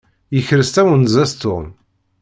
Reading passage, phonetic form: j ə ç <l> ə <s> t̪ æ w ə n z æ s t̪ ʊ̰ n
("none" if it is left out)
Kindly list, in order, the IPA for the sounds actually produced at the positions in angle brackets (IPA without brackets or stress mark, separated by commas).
ɾ, s